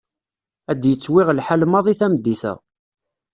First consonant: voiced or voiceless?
voiced